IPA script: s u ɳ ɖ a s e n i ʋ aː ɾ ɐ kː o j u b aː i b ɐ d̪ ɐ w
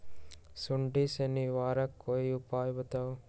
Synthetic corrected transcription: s u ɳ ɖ i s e n i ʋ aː ɾ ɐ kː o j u p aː j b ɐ t̪ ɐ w

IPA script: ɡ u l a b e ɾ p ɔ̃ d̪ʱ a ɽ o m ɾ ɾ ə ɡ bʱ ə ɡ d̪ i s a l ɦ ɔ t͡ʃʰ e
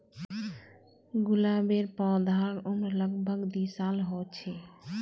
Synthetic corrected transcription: ɡ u l a b e ɾ p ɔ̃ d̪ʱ a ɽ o m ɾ l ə ɡ bʱ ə ɡ d̪ i s a l ɦ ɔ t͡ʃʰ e

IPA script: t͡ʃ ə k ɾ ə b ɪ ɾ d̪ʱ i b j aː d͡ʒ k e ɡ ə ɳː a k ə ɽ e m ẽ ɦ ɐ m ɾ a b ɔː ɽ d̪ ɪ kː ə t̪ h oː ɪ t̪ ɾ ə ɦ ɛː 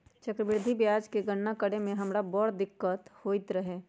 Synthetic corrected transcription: t͡ʃ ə k ɾ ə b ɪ ɾ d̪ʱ i b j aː d͡ʒ k e ɡ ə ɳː a k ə ɽ e m ẽ ɦ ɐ m ɾ a b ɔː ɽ d̪ ɪ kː ə t̪ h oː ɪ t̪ ɾ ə ɦ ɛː

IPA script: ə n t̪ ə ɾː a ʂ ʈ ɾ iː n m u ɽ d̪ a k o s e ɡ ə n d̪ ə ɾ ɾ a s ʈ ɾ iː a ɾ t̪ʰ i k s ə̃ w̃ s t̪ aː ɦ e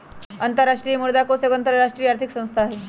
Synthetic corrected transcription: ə n t̪ ə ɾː a ʂ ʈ ɾ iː m u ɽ d̪ a k o s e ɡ ə n t̪ ə ɾ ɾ a ʂ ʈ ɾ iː a ɾ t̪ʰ i k s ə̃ w̃ s t̪ʰ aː ɦ e

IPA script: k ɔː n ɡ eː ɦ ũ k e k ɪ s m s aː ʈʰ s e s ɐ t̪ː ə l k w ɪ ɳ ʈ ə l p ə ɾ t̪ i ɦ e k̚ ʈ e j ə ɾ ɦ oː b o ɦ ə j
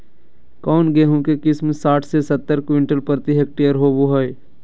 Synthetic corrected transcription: k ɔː n ɡ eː ɦ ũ k e k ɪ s m s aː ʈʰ s e s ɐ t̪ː ə ɾ k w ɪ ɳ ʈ ə l p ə ɾ t̪ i ɦ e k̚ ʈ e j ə ɾ ɦ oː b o ɦ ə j

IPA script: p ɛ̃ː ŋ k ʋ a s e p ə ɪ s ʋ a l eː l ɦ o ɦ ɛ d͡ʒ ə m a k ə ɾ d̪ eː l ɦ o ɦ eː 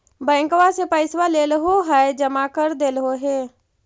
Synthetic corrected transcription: b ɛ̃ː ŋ k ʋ a s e p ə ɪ s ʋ a l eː l ɦ o ɦ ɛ d͡ʒ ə m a k ə ɾ d̪ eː l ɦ o ɦ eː

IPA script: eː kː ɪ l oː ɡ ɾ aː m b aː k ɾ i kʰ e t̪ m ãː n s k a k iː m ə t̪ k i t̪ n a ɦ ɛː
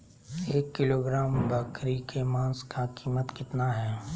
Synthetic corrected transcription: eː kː ɪ l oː ɡ ɾ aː m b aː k ɾ i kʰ e m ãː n s k a k iː m ə t̪ k ɪ t̪ n a ɦ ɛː

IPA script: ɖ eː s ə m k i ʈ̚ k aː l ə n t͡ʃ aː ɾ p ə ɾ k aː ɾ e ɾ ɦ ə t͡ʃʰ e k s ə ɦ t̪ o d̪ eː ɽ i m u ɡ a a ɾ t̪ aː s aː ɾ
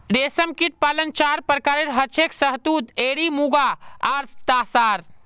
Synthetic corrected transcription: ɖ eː s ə m k i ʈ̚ p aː l ə n t͡ʃ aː ɾ p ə ɾ k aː ɾ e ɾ ɦ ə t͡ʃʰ e k s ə ɦ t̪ u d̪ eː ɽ i m u ɡ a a ɾ t̪ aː s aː ɾ

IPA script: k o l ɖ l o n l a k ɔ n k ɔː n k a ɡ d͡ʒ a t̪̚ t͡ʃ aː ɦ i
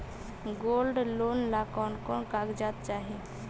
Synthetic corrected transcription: ɡ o l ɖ l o n l a k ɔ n k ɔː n k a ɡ d͡ʒ a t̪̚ t͡ʃ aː ɦ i

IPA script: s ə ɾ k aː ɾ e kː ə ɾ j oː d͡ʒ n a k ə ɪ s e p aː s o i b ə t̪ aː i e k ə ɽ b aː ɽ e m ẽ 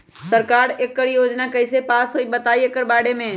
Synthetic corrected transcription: s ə ɾ k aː ɾ e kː ə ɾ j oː d͡ʒ n a k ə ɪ s e p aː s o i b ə t̪ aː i e k ə ɾ b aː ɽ e m ẽ

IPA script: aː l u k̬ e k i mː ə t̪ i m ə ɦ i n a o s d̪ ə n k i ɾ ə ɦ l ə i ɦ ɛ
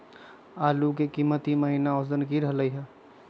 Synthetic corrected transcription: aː l u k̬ e k i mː ə t̪ i m ə ɦ i n a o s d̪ ə n k i ɾ ə ɦ l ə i ɦ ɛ

